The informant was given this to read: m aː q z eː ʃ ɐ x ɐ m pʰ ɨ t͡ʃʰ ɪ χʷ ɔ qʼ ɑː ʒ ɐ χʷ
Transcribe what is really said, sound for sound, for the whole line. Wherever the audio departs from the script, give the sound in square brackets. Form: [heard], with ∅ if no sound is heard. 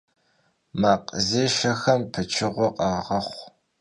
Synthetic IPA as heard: m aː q z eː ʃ ɐ x ɐ m pʰ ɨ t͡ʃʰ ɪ [ʁʷ] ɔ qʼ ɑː [ʁ] ɐ χʷ